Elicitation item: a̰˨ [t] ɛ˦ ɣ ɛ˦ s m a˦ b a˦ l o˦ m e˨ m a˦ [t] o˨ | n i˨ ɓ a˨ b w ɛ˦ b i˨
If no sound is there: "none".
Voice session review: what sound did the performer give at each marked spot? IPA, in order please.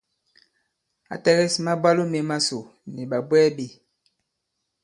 t, s

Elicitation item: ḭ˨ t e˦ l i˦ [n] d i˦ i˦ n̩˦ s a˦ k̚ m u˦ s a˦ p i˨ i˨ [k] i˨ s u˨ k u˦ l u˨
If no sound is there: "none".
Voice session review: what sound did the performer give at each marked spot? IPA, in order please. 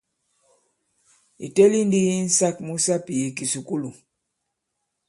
n, k

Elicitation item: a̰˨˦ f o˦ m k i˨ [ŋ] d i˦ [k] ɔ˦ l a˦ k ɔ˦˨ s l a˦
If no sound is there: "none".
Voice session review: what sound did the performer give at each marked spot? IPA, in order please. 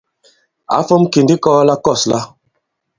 n, k

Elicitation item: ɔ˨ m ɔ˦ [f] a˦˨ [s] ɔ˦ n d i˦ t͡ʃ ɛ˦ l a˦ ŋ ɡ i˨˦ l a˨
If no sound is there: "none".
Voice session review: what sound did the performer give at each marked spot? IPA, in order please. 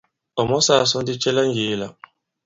s, s

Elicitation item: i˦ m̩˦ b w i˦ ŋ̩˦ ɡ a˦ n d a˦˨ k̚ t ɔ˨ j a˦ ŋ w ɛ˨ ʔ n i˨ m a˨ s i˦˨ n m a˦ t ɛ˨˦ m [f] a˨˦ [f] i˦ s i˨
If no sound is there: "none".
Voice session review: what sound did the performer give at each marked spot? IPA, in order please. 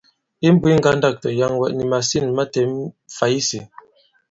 f, none

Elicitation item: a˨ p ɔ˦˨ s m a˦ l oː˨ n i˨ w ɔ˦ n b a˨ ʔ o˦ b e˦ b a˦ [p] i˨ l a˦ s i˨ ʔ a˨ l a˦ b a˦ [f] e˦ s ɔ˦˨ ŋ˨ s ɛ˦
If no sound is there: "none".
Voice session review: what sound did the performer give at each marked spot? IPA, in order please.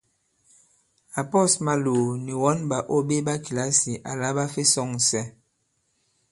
k, f

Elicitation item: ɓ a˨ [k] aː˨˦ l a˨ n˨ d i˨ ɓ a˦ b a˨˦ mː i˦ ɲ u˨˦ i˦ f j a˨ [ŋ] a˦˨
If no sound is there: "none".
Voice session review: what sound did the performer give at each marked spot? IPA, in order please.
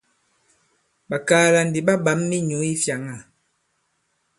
k, ŋ

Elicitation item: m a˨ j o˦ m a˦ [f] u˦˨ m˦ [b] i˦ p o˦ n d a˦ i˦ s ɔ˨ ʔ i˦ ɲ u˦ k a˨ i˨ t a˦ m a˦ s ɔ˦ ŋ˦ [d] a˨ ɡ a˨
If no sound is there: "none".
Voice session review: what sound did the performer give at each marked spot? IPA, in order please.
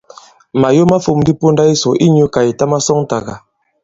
f, d, t

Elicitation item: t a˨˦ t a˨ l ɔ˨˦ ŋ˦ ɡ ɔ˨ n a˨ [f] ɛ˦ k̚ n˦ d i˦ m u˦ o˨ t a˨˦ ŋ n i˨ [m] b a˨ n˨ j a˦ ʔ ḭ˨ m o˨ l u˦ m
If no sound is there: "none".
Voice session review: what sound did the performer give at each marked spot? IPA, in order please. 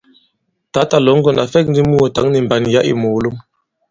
f, m

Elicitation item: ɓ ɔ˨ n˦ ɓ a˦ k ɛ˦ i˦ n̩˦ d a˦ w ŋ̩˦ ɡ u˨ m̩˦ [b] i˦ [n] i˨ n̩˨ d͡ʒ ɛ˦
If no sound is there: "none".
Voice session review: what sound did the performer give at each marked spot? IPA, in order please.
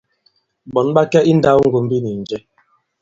b, n

